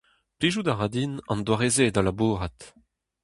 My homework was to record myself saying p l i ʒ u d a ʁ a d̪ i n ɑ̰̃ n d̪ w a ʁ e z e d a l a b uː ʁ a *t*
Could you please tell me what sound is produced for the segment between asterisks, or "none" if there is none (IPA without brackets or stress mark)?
t